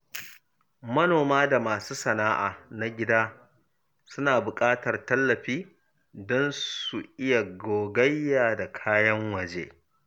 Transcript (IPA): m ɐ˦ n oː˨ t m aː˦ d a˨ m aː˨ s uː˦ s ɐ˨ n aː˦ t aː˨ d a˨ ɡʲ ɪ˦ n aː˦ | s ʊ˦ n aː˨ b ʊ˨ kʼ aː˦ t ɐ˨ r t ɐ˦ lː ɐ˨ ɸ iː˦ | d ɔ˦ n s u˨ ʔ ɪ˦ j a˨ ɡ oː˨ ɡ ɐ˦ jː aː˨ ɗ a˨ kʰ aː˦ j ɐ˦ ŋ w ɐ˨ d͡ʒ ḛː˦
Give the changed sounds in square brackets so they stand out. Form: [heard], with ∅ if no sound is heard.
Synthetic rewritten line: m ɐ˦ n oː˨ [∅] m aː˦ d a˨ m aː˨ s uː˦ s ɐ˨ n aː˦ [ʔ] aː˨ [n] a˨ ɡʲ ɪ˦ [d] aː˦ | s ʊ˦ n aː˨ b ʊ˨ kʼ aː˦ t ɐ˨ r t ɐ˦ lː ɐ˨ ɸ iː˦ | d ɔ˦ n s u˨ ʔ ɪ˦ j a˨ ɡ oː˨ ɡ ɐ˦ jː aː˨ [d] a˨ kʰ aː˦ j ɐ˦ ŋ w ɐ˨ d͡ʒ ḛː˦

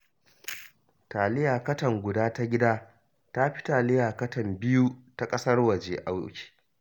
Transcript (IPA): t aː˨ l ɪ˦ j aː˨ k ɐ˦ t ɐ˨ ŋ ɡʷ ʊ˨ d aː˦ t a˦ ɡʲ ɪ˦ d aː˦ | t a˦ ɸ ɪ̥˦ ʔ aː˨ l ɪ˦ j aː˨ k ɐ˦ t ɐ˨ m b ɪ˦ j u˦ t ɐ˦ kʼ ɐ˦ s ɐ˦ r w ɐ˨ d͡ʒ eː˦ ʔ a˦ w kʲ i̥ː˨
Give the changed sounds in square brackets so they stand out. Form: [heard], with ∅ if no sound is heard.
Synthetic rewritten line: t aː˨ l ɪ˦ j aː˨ k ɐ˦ t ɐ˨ ŋ ɡʷ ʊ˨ d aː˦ t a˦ ɡʲ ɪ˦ d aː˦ | t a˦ ɸ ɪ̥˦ [t] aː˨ l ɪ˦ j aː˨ k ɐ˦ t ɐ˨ m b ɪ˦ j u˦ t [a˦] kʼ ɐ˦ s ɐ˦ r w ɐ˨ d͡ʒ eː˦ ʔ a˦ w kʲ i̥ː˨

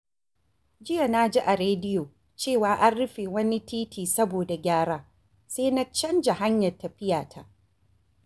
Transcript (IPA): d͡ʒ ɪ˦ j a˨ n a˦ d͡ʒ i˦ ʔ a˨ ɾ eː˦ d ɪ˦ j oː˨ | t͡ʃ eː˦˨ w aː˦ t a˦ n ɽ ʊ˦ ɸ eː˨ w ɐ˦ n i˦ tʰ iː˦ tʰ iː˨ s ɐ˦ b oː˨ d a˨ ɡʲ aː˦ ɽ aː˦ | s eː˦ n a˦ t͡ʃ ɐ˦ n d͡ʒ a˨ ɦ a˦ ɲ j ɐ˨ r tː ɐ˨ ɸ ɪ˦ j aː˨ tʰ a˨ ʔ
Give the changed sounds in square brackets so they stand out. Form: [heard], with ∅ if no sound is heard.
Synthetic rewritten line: d͡ʒ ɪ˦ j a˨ n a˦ d͡ʒ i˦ ʔ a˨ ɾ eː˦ d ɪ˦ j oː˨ | t͡ʃ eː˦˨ w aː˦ [ʔ] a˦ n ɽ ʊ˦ ɸ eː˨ w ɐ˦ n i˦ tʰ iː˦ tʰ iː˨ s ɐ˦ b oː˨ d a˨ ɡʲ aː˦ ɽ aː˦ | s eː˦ n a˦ t͡ʃ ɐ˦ n d͡ʒ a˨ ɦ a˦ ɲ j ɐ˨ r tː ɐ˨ ɸ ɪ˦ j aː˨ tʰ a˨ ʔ

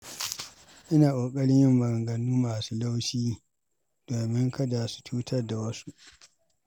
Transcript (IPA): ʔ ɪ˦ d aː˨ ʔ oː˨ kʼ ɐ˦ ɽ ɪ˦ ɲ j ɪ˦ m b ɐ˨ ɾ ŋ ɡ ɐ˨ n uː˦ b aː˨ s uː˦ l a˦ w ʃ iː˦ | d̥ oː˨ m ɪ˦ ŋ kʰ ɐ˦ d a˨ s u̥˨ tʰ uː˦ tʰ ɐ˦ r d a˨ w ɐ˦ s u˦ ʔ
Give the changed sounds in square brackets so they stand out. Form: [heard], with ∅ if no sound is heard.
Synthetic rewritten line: ʔ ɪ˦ [n] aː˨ ʔ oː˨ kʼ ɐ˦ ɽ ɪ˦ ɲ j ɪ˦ m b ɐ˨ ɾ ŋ ɡ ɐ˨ n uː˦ [m] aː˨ s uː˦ l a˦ w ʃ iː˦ | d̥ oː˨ m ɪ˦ ŋ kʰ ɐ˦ d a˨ s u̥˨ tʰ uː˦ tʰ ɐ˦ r d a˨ w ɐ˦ s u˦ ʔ

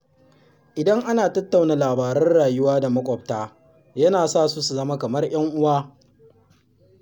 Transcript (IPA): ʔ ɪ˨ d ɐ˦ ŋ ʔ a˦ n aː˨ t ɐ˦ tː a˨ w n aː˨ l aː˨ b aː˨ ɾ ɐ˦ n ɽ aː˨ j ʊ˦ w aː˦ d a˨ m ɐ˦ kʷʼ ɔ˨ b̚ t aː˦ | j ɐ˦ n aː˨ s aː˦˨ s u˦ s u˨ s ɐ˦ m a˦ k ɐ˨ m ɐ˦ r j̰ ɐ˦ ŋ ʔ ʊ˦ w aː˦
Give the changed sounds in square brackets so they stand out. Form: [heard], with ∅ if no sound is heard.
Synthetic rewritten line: ʔ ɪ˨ d ɐ˦ ŋ ʔ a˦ n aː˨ t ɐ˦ tː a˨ w n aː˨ l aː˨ b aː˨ ɾ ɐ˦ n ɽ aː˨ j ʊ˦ w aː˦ d a˨ m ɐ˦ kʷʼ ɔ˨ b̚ t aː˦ | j ɐ˦ n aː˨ s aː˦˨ s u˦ s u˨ [z] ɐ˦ m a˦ k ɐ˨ m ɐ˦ r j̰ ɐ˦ ŋ ʔ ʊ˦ w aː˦

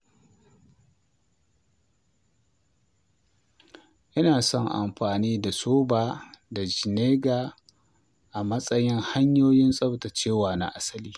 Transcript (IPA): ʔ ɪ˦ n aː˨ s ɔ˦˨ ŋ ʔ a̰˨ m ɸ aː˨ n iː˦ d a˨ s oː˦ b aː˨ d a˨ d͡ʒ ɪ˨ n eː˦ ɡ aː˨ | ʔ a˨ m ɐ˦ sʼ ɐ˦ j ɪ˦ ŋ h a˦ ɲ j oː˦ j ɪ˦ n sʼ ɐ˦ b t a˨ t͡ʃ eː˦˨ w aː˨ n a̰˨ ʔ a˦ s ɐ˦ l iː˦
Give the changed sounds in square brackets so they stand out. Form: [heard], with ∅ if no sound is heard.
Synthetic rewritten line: ʔ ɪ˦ n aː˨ s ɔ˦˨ ŋ ʔ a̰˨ m ɸ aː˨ n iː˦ d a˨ s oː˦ b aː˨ d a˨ d͡ʒ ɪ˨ n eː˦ ɡ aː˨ | ʔ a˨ m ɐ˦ sʼ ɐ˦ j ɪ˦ ŋ h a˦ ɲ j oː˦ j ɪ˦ n sʼ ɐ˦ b t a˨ t͡ʃ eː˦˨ w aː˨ n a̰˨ ʔ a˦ s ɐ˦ l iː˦

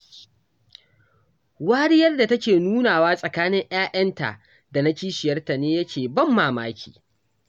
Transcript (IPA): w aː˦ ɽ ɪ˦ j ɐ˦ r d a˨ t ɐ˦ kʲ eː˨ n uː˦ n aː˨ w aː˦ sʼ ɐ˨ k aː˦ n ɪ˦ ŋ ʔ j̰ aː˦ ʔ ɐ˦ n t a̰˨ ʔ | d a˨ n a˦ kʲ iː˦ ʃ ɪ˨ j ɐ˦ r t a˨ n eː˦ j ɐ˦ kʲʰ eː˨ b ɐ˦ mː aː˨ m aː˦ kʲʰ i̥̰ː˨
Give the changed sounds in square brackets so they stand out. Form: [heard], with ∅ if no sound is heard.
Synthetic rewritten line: w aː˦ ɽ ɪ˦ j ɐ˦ r d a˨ t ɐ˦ kʲ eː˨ n uː˦ n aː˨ w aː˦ sʼ ɐ˨ k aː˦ n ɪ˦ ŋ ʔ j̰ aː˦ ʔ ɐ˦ n t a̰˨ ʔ | d a˨ n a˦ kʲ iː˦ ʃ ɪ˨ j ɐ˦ r t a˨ n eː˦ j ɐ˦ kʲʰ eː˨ b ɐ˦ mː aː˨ m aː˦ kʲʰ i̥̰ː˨

